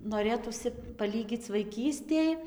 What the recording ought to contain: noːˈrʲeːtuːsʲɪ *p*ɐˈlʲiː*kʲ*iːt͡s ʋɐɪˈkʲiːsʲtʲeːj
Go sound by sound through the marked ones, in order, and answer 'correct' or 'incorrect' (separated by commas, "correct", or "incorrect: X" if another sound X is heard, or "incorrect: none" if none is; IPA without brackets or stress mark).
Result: correct, incorrect: ɡʲ